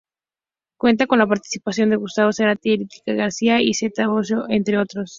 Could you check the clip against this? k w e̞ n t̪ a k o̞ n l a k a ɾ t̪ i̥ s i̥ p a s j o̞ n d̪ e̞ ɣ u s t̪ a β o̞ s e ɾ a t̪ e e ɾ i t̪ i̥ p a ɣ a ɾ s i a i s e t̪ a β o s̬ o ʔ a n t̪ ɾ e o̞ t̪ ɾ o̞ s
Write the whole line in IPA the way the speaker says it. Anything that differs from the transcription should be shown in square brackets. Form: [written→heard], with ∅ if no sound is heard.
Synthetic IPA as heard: k w e̞ n t̪ a k o̞ n l a [k→p] a ɾ t̪ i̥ s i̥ p a s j o̞ n d̪ e̞ ɣ u s t̪ a β o̞ s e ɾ a t̪ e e ɾ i t̪ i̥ [p→k] a ɣ a ɾ s i a i s e t̪ a β o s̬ o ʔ [a→e] n t̪ ɾ e o̞ t̪ ɾ o̞ s